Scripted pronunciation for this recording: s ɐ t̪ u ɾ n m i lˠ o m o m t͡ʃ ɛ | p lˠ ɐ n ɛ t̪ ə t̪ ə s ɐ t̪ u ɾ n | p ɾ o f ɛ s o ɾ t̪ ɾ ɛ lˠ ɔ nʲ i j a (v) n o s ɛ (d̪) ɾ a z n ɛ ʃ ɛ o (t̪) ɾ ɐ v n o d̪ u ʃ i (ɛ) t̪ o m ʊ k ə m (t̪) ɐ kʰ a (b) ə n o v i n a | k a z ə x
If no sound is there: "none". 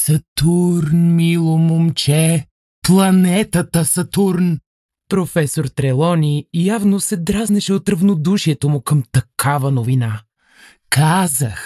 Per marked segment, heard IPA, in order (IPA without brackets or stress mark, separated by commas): v, d̪, t̪, ɛ, t̪, v